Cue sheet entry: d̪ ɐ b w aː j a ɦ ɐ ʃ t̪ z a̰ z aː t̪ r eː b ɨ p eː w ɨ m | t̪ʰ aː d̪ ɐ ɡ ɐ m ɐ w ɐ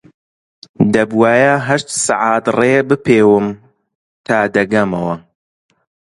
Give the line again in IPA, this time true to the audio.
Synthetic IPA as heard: d̪ ɐ b w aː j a ɦ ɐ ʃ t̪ s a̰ ʕ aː t̪ r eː b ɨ p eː w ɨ m | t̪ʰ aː d̪ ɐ ɡ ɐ m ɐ w ɐ